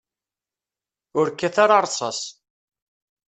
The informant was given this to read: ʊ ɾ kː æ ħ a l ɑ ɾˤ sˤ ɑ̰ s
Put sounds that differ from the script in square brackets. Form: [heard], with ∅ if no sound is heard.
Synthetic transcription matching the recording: ʊ ɾ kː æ [θ] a [ɾ] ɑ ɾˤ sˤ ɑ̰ s